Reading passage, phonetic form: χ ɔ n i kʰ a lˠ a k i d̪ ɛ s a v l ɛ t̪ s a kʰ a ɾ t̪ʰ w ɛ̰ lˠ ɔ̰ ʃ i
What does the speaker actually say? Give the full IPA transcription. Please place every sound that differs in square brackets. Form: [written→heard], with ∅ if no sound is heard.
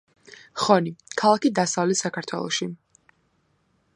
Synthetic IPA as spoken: χ ɔ n i kʰ a lˠ a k i d̪ [ɛ→a] s a v l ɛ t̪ s a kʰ a ɾ t̪ʰ w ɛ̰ lˠ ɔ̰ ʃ i